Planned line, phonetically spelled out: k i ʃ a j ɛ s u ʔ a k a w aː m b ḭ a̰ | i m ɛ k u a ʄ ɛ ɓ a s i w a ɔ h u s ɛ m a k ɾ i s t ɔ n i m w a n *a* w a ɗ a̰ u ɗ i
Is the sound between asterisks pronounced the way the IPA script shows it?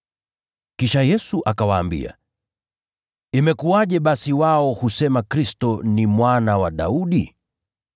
yes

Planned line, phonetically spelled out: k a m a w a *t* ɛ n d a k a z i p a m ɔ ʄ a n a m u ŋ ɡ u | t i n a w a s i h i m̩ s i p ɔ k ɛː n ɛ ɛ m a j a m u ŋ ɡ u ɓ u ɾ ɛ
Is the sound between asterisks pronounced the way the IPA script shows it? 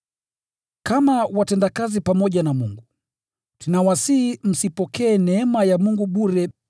yes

